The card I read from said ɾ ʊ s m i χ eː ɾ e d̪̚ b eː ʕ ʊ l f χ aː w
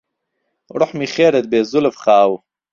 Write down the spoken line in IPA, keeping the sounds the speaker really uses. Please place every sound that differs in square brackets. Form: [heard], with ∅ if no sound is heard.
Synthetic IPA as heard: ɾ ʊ [ħ] m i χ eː ɾ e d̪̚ b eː [z] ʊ l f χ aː w